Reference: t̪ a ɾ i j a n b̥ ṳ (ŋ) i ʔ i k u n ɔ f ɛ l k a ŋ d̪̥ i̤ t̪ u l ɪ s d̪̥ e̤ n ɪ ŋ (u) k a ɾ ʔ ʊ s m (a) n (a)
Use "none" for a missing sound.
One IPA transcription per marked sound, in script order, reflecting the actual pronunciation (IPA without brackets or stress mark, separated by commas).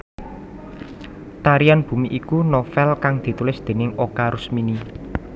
m, o, i, i